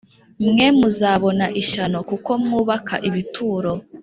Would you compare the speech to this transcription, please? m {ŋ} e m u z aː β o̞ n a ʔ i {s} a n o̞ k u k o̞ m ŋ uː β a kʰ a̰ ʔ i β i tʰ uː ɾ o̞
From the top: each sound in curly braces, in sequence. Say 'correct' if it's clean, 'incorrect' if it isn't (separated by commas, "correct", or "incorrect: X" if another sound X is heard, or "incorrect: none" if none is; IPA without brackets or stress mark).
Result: correct, incorrect: ʃ